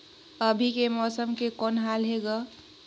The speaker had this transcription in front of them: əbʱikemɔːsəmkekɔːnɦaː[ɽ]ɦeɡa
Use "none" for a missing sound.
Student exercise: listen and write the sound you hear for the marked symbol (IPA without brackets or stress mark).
l